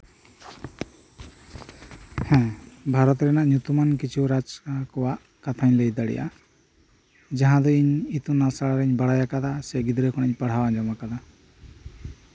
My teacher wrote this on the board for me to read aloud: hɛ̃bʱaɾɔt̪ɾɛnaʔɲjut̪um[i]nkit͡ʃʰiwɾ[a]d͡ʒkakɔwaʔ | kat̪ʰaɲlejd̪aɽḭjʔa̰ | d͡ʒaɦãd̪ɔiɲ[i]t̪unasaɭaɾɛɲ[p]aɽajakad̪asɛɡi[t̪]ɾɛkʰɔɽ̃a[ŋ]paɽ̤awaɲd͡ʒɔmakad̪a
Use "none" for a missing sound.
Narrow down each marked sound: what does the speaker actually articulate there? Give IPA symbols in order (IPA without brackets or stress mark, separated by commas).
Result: a, a, i, b, d̪, ɲ